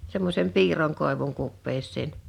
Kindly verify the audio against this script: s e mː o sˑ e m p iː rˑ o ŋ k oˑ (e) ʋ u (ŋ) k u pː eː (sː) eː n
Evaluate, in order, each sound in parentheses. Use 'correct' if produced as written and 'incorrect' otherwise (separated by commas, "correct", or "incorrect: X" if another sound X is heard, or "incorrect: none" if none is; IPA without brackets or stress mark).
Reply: correct, correct, correct